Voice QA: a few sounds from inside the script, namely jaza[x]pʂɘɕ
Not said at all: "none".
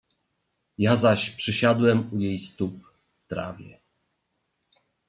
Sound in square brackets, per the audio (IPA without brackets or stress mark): ɕ